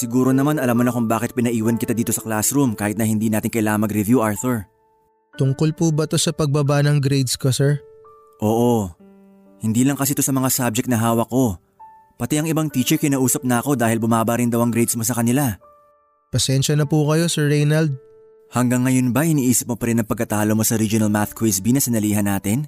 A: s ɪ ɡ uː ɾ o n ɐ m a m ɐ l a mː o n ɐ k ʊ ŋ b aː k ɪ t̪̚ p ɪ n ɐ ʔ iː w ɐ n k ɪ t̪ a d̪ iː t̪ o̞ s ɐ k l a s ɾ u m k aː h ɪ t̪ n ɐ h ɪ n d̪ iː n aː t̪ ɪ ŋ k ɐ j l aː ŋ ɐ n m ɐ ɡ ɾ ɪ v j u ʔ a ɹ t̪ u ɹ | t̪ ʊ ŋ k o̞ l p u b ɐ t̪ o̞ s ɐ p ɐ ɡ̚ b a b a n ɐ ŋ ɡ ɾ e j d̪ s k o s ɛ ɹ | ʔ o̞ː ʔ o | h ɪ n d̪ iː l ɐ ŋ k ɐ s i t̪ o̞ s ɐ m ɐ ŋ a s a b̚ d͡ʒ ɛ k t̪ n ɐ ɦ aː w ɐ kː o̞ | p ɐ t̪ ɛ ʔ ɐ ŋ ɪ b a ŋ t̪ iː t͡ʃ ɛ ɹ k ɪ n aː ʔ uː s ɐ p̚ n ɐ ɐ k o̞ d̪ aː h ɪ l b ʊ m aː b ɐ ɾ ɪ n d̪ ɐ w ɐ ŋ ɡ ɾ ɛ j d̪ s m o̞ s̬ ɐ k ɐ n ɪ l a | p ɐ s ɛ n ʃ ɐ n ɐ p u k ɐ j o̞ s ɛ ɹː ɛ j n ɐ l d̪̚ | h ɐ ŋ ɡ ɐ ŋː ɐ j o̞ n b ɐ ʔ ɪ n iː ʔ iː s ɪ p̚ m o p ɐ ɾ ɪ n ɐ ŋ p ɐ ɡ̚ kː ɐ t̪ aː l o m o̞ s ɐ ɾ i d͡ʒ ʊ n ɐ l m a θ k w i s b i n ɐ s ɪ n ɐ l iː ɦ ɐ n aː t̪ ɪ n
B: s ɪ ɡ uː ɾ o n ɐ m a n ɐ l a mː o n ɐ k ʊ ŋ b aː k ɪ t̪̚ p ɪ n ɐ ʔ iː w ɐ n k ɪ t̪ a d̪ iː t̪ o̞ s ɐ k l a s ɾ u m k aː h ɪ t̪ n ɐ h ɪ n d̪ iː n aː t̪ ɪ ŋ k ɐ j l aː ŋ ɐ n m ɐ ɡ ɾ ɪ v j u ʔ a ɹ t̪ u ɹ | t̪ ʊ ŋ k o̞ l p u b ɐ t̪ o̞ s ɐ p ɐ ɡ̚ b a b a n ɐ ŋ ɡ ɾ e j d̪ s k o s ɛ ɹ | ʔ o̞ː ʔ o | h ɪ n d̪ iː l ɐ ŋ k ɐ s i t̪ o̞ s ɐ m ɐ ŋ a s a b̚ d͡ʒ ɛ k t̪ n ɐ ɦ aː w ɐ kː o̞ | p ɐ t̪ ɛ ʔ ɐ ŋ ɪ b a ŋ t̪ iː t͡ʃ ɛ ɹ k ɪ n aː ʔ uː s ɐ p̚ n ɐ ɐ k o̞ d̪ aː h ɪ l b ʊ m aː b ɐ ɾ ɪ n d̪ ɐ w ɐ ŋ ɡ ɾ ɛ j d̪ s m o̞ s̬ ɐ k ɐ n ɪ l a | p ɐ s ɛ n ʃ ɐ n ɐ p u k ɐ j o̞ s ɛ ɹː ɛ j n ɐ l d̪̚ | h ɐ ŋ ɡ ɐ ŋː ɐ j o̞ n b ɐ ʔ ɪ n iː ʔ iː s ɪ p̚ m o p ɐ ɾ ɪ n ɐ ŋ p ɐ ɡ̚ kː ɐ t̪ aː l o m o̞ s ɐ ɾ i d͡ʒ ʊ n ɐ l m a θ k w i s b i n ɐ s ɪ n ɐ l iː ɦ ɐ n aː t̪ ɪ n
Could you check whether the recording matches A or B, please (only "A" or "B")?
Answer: B